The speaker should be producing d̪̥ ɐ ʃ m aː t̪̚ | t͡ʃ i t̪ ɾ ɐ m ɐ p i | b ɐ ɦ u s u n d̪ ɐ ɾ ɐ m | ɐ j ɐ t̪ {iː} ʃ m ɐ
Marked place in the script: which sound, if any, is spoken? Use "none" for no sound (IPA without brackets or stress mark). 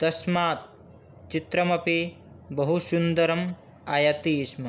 iː